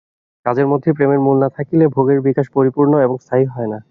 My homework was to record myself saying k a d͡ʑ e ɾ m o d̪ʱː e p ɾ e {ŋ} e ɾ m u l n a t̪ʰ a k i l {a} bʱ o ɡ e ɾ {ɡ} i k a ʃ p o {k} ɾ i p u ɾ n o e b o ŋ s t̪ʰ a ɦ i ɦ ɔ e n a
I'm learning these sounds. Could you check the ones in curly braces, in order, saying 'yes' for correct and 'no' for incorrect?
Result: no, no, no, no

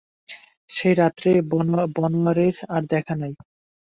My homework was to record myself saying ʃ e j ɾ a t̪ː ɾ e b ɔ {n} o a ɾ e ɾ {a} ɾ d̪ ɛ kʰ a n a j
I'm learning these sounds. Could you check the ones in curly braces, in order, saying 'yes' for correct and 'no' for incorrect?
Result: yes, yes

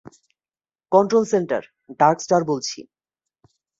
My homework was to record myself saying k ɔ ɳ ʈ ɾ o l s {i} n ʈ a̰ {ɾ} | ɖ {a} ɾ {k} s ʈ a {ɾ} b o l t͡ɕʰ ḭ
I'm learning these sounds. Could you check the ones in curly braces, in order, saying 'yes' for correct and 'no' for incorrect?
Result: no, yes, yes, yes, yes

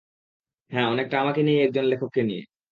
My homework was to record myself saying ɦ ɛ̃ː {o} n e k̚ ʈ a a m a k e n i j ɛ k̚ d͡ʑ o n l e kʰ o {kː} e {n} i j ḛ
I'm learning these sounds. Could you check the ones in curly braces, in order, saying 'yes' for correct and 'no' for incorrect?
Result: no, yes, yes

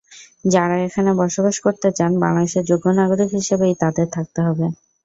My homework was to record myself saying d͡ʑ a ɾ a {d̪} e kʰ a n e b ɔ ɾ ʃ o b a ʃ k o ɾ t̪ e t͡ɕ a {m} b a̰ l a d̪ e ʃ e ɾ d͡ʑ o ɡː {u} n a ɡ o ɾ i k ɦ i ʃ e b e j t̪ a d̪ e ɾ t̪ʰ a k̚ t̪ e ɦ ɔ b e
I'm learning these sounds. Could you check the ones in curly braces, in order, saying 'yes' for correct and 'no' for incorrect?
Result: no, no, no

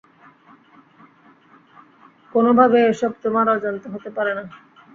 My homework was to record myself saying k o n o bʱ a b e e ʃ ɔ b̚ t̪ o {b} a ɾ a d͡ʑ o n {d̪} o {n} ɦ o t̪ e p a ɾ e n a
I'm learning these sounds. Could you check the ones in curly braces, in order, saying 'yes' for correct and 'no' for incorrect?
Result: no, no, no

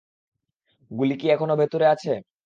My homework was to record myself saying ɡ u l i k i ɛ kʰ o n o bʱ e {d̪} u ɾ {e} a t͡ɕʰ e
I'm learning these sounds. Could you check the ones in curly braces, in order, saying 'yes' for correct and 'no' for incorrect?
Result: no, yes

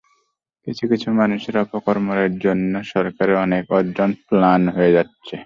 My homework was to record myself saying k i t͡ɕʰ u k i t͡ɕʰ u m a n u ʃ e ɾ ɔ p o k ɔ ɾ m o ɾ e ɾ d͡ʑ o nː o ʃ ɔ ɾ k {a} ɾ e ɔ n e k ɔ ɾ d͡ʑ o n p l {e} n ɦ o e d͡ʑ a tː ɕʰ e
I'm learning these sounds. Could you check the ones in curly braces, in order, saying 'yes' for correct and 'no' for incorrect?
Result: yes, no

